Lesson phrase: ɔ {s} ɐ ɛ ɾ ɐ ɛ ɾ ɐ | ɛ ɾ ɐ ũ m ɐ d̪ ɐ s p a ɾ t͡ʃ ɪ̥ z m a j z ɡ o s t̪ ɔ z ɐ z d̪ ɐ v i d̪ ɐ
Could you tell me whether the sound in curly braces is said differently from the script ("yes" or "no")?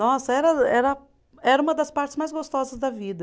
no